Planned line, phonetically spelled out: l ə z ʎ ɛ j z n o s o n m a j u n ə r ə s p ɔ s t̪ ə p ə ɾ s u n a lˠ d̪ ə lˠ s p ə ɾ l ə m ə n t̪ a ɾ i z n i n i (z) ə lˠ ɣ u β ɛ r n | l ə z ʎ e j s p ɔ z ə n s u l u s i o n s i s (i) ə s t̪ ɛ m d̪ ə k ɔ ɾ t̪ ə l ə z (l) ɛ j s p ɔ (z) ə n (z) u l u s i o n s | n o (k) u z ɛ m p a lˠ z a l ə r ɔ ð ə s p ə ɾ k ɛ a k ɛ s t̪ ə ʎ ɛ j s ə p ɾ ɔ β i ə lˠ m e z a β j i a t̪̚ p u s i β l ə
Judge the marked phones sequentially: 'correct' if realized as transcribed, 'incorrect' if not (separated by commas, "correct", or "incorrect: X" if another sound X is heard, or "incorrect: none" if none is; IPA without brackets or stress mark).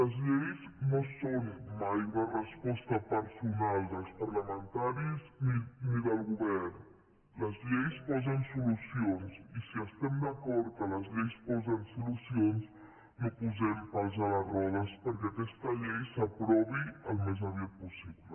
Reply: incorrect: ð, correct, incorrect: ʎ, correct, incorrect: s, incorrect: p